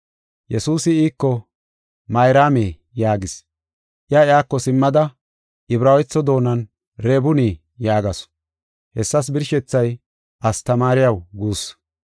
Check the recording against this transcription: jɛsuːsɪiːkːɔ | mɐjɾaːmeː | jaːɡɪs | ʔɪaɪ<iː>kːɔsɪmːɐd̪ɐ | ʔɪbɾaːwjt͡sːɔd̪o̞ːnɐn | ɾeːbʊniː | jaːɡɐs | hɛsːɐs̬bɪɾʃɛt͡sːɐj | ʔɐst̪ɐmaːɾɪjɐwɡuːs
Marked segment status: incorrect: aː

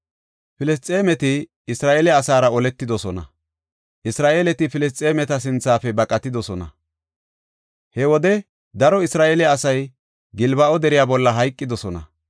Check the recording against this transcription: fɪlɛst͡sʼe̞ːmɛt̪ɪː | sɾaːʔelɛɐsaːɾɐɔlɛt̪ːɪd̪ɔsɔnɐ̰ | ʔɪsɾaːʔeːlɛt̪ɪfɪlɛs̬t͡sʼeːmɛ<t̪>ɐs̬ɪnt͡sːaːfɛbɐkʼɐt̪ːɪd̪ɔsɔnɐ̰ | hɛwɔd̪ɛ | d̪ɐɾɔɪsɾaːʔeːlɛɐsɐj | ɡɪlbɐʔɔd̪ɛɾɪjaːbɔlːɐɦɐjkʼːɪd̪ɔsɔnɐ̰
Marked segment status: correct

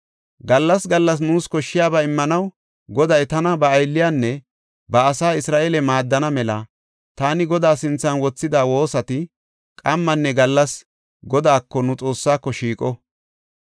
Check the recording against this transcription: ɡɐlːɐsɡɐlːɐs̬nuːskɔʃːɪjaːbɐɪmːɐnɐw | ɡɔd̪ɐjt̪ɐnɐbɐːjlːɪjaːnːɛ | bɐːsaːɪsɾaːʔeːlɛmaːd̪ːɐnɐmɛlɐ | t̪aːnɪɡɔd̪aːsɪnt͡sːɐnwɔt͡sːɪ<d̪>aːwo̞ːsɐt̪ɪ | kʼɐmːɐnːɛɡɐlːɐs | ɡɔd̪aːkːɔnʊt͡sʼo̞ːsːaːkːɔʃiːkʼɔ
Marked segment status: correct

